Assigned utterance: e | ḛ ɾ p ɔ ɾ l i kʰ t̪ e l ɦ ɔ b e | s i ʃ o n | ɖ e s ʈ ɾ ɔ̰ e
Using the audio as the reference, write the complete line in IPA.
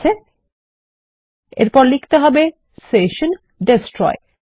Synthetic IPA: e | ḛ ɾ p ɔ ɾ l i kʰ t̪ e ɦ ɔ b e | s e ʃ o n | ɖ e s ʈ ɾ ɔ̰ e